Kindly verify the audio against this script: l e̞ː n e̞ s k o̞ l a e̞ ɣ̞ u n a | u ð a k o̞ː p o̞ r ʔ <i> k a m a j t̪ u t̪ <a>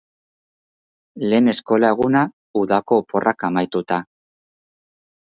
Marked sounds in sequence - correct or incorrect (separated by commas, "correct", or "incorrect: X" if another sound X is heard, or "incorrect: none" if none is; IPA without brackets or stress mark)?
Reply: incorrect: a, correct